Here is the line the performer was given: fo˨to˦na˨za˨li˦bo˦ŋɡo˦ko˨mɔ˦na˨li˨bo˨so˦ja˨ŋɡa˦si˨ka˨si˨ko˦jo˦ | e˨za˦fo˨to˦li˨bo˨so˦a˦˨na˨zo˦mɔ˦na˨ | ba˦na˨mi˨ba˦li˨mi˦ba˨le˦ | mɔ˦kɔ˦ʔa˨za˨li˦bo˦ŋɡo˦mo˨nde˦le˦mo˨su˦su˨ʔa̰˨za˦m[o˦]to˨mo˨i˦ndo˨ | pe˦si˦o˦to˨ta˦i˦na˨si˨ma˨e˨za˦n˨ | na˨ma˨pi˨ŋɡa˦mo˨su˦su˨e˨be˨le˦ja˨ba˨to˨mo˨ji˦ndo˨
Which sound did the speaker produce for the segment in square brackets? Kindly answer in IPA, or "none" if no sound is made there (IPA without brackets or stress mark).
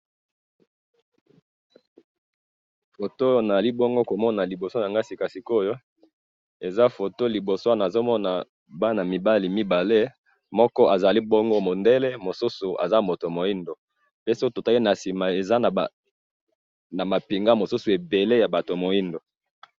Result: o˨